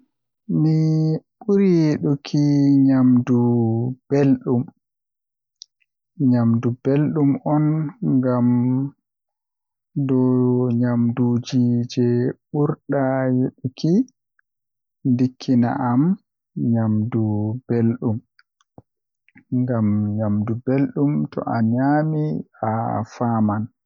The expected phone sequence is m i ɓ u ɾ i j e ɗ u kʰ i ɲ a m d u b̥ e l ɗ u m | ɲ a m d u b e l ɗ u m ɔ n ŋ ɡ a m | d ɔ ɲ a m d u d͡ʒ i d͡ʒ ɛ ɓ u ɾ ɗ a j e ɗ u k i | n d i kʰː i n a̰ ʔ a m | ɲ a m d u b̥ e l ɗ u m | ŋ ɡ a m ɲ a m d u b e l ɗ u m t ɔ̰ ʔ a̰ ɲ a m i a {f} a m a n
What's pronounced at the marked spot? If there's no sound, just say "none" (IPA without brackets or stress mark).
f